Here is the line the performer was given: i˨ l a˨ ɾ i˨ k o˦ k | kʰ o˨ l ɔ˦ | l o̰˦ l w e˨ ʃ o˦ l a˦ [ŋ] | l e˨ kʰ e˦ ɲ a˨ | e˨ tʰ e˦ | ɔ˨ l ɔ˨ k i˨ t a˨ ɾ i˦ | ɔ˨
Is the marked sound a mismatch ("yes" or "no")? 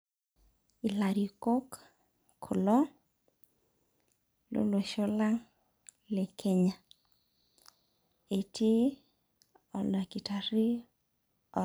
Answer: no